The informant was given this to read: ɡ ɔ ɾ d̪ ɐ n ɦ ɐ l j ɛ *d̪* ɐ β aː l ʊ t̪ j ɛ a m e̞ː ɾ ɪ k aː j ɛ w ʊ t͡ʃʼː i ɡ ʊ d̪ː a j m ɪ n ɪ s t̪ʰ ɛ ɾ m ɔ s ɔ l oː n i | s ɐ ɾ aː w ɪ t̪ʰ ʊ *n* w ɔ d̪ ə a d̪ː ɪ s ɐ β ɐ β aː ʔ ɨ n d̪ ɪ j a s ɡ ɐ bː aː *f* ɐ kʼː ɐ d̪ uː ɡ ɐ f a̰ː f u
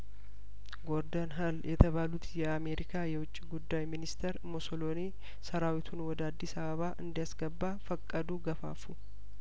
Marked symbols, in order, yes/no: no, yes, yes

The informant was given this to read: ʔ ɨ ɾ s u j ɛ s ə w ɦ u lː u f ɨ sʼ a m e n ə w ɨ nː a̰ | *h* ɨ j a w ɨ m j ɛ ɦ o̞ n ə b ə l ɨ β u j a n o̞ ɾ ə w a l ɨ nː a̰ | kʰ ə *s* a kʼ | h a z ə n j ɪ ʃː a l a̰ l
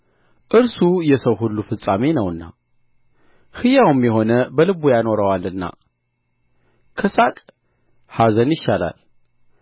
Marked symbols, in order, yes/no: yes, yes

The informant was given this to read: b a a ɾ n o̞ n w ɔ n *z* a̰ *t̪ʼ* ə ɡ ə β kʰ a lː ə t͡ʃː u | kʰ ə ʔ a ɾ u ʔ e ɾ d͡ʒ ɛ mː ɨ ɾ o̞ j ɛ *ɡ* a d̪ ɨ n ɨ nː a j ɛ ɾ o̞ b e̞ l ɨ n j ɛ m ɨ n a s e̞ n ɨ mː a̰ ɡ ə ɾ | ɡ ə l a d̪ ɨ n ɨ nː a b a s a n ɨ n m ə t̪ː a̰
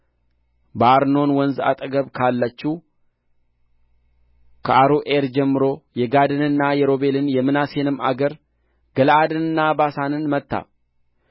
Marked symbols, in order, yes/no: yes, yes, yes

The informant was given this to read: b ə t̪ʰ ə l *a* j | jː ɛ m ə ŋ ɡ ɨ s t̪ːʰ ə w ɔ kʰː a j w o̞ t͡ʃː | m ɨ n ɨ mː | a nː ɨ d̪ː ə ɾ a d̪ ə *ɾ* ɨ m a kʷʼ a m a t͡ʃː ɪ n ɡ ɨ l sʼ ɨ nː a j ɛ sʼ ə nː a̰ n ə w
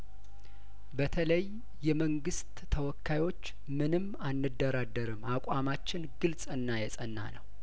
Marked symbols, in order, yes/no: no, yes

